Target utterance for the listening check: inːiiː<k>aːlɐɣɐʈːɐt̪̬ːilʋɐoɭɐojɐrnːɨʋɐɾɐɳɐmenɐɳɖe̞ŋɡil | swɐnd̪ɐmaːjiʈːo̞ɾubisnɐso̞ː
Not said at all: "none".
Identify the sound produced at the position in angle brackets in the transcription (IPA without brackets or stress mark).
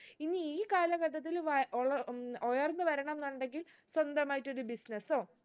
k